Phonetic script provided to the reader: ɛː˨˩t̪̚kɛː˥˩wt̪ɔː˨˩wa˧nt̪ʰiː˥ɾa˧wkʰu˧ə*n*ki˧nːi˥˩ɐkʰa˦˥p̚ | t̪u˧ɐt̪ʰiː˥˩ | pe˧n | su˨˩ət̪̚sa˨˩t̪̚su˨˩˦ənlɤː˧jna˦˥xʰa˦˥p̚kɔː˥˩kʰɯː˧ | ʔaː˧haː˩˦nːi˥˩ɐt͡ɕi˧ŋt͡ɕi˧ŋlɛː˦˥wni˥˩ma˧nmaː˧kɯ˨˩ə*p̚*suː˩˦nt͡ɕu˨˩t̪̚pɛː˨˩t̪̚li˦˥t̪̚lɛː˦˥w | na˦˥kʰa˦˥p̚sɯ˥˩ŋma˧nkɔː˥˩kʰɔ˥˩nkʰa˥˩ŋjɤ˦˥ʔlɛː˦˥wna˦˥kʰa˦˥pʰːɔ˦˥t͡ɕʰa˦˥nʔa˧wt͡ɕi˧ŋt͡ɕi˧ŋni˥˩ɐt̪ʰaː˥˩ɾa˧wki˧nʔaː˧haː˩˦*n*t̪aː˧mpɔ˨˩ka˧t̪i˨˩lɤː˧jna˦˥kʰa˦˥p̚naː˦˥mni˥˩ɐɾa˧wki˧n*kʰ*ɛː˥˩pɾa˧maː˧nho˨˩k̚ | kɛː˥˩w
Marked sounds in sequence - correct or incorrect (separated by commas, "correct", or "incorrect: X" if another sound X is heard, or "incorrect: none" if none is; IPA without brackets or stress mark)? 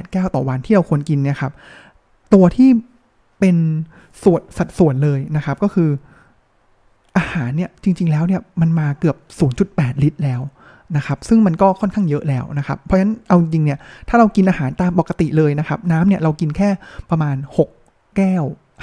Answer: correct, correct, correct, correct